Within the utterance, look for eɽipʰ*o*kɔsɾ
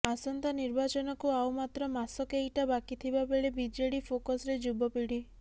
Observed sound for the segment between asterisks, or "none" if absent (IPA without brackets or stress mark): o